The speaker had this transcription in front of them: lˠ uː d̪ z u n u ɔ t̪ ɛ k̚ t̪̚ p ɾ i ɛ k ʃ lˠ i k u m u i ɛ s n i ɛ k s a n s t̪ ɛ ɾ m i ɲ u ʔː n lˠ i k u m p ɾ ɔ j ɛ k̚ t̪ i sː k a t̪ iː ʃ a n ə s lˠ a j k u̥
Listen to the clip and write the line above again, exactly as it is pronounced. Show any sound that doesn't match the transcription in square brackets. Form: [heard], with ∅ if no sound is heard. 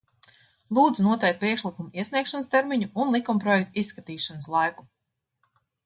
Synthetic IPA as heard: lˠ uː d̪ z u n u ɔ t̪ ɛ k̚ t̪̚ p ɾ i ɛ k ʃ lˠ i k u m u i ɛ s n i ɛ k [ʃ] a n s t̪ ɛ ɾ m i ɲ u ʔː n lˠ i k u m p ɾ ɔ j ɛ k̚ t̪ i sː k a t̪ iː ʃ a n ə s lˠ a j k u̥